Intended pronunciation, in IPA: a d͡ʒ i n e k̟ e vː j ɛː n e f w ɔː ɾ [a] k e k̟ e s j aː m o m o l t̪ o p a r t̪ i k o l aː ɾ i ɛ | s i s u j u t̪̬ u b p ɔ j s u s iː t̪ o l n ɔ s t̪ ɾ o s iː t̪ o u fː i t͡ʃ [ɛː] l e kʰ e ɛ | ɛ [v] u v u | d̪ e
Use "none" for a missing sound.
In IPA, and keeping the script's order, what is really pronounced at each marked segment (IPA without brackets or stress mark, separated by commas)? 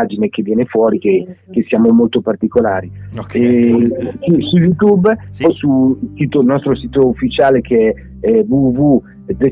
i, aː, v